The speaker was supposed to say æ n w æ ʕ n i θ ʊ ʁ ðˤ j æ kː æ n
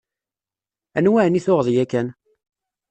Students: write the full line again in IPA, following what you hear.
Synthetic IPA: æ n w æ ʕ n i θ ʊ ʁ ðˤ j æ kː æ n

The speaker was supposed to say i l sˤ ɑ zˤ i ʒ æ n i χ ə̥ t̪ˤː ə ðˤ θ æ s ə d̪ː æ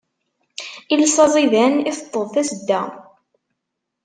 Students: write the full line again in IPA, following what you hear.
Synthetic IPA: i l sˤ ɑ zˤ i ð æ n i θ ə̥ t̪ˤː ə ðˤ θ æ s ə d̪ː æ

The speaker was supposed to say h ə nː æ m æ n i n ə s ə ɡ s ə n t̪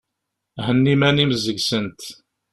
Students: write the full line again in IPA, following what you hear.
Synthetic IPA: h ə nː i m æ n i m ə z ə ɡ s ə n t̪

